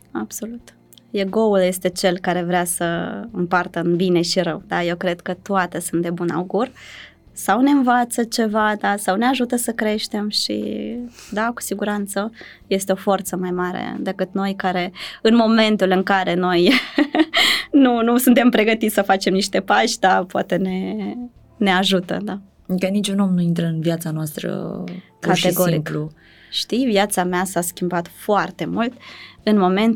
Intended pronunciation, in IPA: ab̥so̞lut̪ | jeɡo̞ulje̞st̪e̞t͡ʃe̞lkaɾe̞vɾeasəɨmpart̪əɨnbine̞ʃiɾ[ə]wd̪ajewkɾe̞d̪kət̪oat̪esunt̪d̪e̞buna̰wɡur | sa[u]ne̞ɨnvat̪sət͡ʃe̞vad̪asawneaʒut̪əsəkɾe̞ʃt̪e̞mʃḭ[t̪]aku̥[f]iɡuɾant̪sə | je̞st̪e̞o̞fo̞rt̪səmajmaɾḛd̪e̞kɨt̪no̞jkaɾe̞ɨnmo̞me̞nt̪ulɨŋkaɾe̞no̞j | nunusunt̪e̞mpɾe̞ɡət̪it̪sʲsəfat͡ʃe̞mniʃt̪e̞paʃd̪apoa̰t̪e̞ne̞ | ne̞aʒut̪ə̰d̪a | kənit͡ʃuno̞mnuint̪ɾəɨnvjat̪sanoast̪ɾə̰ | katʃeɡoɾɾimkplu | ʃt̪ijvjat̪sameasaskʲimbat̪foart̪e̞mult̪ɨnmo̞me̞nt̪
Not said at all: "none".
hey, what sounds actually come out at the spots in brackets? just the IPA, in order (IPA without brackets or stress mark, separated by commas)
ə, w, d̪, s